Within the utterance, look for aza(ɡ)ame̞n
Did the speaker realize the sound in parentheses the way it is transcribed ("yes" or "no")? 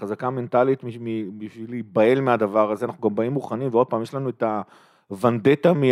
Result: no